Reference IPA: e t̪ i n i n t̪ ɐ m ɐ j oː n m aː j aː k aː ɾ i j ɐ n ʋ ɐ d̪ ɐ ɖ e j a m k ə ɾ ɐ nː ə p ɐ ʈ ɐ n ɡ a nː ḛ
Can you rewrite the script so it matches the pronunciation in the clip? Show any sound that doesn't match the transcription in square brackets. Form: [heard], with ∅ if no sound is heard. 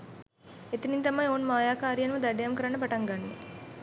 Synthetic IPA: e t̪ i n i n t̪ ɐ m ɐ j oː n m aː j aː k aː ɾ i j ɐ n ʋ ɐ d̪ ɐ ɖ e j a m k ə ɾ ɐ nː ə p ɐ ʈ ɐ [ŋ] ɡ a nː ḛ